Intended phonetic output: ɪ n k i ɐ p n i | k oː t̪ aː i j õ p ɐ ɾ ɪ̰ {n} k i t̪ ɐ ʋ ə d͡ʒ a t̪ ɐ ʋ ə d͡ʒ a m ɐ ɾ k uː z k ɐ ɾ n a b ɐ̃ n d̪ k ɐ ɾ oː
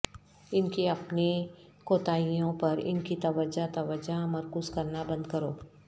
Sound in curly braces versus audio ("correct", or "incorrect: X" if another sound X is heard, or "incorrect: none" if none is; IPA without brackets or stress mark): correct